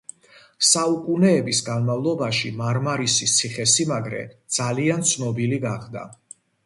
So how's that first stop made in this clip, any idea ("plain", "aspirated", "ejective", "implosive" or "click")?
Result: ejective